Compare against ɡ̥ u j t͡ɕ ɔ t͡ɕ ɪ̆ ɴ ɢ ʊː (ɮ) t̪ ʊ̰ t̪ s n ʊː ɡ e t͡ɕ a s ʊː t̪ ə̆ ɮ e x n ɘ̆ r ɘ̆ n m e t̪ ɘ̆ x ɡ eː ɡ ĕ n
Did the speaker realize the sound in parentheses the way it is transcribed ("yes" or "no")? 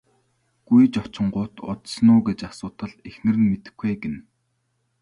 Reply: no